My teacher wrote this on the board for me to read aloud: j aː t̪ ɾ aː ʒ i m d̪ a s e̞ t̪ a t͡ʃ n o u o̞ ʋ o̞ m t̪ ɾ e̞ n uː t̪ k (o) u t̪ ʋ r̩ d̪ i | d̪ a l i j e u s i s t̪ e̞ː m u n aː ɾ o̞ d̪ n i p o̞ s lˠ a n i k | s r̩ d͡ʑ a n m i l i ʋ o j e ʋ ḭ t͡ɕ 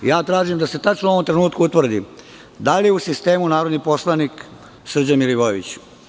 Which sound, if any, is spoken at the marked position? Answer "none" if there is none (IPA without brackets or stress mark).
u